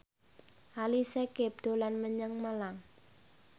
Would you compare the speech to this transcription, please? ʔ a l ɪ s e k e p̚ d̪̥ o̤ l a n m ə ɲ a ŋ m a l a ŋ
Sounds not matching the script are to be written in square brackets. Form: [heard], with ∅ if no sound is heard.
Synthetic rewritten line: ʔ a l [i] s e k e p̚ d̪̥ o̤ l a n m ə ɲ [ə] ŋ m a l a ŋ